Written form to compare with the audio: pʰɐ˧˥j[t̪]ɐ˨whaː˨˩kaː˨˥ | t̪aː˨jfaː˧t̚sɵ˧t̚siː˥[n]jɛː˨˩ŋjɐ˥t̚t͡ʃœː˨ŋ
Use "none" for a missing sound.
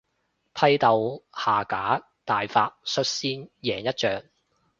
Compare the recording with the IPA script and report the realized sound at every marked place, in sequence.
t̪, n

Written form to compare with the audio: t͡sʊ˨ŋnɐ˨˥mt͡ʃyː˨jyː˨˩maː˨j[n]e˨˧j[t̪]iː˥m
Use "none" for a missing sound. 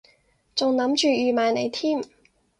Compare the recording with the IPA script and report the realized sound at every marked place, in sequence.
n, t̪ʰ

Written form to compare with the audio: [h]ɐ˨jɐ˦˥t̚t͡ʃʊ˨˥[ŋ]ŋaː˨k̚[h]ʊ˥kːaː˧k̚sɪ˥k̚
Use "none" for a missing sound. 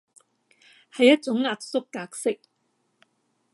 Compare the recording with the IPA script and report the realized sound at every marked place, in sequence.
h, ŋ, s

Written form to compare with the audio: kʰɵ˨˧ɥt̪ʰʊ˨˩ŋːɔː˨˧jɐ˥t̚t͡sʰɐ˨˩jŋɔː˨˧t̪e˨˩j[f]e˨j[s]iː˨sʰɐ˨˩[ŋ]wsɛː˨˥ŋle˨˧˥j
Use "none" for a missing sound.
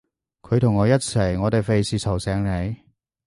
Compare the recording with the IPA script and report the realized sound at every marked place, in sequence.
f, s, none

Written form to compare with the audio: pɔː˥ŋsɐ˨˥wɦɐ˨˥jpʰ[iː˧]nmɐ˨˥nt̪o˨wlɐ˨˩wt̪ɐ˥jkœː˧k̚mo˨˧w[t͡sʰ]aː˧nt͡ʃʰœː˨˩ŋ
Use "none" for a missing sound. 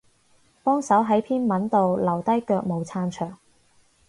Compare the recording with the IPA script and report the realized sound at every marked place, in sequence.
iː˥, t͡sʰ

